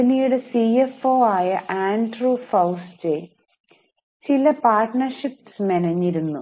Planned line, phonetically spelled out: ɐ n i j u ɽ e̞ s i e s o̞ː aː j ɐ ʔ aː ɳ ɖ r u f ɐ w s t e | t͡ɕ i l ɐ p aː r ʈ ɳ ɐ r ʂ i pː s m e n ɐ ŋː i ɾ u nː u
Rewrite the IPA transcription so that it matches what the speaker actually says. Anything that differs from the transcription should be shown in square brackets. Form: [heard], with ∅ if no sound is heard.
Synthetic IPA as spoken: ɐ n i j u ɽ e̞ s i e [f] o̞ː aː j ɐ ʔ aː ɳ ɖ r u f ɐ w s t e | t͡ɕ i l ɐ p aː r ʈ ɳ ɐ r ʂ i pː s m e n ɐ [ɲː] i ɾ u nː u